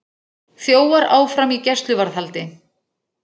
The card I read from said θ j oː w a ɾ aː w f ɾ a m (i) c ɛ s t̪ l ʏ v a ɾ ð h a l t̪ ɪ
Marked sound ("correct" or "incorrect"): correct